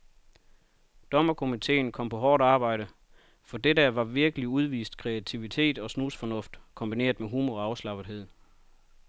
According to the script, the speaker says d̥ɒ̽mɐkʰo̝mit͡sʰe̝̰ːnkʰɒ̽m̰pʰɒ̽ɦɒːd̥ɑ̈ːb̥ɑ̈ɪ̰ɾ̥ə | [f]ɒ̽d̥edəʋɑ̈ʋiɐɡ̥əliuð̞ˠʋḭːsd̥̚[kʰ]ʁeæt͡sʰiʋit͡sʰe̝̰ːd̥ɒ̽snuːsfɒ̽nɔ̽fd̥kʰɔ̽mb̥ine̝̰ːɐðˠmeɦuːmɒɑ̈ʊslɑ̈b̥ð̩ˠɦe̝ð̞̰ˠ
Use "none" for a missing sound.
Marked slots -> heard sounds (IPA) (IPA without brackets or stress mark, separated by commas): f, kʰ